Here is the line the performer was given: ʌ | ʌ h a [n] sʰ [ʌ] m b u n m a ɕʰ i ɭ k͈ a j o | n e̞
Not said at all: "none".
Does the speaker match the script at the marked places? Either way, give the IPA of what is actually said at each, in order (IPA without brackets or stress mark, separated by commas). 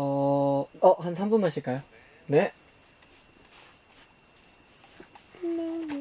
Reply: n, a